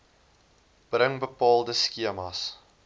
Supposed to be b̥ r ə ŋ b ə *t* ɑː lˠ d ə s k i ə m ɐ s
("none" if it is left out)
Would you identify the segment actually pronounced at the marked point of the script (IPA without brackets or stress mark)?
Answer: p